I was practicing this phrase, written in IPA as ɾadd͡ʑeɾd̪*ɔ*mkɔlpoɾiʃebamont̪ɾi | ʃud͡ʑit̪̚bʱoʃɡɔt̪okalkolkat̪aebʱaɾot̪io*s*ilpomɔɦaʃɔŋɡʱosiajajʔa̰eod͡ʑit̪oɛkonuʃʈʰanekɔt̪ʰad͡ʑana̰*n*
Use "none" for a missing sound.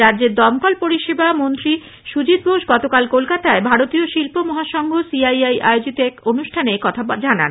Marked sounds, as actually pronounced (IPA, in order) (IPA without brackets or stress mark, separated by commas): ɔ, ʃ, n